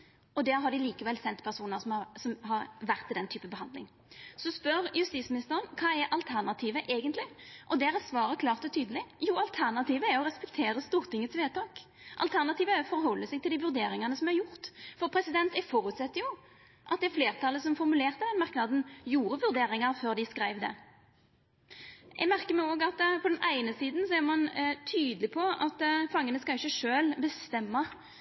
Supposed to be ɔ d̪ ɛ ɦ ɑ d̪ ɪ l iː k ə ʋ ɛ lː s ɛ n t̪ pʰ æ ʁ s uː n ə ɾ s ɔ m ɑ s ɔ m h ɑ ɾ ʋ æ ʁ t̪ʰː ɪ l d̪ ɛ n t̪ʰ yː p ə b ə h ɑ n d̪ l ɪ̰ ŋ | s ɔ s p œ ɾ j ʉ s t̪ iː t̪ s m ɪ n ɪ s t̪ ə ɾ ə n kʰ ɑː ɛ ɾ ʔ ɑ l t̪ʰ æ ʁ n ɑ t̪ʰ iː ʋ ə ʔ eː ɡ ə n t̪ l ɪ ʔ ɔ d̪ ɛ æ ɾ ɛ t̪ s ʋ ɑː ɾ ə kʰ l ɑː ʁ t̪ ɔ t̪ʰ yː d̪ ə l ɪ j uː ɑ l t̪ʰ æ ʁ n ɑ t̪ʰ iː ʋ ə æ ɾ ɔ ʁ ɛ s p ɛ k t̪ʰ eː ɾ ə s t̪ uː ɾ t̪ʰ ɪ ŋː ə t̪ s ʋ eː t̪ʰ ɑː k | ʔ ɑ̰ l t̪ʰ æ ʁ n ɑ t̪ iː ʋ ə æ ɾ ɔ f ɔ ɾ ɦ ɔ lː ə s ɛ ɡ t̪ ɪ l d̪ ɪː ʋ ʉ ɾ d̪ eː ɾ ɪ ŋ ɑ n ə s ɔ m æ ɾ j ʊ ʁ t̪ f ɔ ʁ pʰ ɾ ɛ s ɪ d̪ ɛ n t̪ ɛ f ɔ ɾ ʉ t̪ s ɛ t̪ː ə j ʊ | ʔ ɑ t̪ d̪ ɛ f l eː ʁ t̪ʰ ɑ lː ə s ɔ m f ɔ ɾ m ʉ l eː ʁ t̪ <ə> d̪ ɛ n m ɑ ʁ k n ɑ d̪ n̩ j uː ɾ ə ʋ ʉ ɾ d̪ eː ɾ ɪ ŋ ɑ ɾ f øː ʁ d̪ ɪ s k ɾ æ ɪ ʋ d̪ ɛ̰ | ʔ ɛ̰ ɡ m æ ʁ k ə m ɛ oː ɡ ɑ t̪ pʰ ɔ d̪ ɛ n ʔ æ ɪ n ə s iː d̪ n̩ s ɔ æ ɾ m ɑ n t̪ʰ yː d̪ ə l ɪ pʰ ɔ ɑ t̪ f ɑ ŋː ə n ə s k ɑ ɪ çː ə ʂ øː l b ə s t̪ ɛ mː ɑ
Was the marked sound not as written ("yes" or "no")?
no